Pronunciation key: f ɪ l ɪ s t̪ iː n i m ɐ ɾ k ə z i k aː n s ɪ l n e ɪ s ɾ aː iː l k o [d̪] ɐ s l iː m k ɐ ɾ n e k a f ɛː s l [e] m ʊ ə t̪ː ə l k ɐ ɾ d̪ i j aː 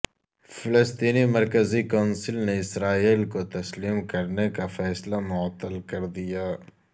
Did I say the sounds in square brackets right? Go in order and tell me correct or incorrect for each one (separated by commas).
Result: incorrect, incorrect